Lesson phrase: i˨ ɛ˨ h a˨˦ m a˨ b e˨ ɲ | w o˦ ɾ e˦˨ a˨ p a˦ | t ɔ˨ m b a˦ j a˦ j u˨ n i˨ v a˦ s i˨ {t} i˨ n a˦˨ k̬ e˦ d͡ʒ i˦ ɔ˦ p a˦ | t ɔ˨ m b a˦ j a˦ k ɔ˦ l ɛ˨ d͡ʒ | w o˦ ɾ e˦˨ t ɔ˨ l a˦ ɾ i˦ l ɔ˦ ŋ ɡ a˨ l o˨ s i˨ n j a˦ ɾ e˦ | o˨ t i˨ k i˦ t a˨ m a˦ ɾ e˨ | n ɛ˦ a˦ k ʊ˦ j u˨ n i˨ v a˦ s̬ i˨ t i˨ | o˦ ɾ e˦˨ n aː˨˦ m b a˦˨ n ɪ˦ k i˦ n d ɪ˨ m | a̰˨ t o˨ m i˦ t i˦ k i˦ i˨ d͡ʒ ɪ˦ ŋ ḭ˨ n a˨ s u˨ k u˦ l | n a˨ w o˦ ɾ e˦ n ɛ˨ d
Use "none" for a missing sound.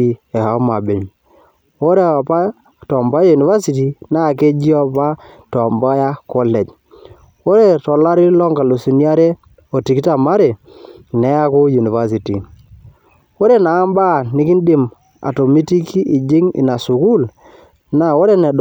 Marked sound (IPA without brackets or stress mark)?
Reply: t